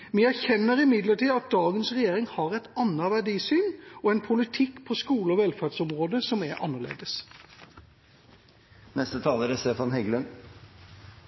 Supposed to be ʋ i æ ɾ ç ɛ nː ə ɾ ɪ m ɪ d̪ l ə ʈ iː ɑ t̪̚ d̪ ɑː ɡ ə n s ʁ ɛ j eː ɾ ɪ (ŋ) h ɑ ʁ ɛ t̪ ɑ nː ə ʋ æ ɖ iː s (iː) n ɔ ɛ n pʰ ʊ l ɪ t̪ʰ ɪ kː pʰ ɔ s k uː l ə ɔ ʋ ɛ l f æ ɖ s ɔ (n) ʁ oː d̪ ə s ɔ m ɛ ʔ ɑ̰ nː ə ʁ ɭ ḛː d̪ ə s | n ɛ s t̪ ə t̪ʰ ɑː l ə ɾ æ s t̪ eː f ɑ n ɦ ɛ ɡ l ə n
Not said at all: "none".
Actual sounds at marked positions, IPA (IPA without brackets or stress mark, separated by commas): ŋ, yː, m